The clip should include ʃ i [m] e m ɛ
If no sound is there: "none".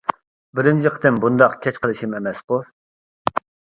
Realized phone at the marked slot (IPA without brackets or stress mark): m